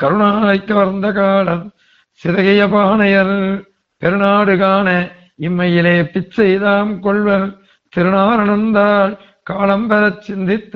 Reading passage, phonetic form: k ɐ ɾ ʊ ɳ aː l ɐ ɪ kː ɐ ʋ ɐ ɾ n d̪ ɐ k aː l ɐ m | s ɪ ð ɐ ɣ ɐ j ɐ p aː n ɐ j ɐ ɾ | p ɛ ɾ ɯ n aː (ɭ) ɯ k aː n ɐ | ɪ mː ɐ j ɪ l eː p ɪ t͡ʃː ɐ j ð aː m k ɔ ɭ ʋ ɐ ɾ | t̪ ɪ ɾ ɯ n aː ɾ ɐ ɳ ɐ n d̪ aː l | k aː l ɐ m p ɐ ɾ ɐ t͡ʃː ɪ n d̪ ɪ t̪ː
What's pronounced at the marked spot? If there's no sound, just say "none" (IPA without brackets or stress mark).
ɽ